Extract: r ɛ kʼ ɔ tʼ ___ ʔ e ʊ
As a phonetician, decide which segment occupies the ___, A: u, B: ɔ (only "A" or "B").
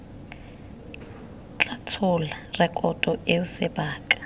B